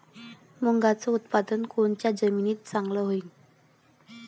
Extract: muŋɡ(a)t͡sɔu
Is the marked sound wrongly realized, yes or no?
no